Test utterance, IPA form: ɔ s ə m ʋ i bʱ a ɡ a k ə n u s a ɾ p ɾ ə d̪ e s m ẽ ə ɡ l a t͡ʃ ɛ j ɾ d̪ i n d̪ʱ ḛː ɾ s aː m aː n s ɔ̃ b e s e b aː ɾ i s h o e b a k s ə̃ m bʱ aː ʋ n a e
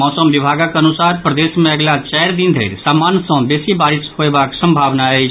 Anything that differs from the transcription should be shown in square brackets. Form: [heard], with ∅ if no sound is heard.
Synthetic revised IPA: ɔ s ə m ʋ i bʱ a ɡ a k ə n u s a ɾ p ɾ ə d̪ e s m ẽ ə ɡ l a t͡ʃ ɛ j ɾ d̪ i n d̪ʱ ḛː ɾ s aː m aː n s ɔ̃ b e s [i] b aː ɾ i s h o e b a k s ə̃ m bʱ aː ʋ n a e

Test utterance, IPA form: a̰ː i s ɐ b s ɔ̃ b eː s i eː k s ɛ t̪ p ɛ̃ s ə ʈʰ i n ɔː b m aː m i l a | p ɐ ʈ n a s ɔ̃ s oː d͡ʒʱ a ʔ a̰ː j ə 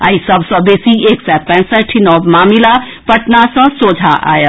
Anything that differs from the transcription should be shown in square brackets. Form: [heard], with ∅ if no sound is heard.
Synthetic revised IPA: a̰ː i s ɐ b s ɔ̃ b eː s i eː k s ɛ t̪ p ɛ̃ s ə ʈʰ i n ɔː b m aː m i l a | p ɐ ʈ n a s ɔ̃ s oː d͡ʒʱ a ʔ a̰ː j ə

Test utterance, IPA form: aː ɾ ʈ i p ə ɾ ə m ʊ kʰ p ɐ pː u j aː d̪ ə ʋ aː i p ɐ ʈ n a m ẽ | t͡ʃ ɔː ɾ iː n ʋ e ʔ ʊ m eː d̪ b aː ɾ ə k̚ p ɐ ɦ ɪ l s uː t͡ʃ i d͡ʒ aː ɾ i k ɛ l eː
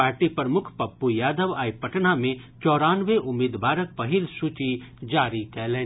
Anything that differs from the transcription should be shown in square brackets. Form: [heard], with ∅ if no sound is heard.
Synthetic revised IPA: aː ɾ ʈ i p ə ɾ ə m ʊ kʰ p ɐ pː u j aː d̪ ə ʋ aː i p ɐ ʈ n a m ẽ | t͡ʃ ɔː ɾ [aː] n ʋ e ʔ ʊ m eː d̪ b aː ɾ ə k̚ p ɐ ɦ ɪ l s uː t͡ʃ i d͡ʒ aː ɾ i k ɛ l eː

